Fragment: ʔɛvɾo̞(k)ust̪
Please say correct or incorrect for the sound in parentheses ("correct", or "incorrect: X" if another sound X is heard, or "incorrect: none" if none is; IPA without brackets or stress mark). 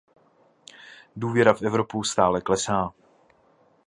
incorrect: p